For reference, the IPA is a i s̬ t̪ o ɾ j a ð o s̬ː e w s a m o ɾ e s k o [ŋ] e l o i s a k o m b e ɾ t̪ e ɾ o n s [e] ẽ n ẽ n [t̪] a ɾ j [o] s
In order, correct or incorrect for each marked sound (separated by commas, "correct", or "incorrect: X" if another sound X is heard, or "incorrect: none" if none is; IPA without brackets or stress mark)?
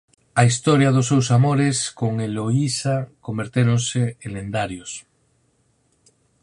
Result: correct, correct, incorrect: d̪, correct